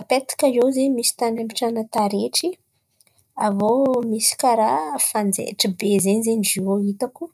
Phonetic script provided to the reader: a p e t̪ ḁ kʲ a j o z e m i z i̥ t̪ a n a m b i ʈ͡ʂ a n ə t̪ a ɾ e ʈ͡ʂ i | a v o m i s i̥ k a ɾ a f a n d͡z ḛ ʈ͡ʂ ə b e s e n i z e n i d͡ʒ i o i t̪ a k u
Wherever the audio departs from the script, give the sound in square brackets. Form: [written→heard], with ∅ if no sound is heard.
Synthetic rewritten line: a p e t̪ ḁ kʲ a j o z e m i [z→s] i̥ t̪ a n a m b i ʈ͡ʂ a n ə t̪ a ɾ e ʈ͡ʂ i | a v o m i s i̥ k a ɾ a f a n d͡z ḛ ʈ͡ʂ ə b e [s→z] e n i z e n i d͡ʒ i o i t̪ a k u